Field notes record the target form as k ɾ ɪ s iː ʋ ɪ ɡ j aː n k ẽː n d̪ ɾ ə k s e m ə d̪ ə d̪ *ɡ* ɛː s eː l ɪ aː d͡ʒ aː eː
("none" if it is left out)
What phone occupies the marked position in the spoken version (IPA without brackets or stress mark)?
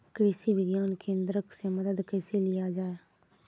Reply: k